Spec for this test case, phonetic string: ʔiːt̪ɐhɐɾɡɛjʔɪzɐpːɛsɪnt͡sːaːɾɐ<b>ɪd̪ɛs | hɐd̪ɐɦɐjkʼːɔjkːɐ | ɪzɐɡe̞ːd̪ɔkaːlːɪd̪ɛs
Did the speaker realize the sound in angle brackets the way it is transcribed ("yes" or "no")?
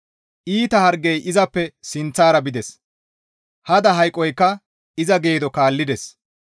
yes